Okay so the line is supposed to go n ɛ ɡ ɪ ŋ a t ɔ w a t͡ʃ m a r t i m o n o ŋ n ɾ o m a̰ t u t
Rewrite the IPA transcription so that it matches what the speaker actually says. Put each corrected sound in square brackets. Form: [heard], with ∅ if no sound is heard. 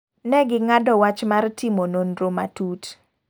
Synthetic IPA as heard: n ɛ ɡ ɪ ŋ a [d] ɔ w a t͡ʃ m a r t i m o n o [∅] n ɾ o m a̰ t u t